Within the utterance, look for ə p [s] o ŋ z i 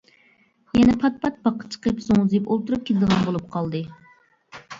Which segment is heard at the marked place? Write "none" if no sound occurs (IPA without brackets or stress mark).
z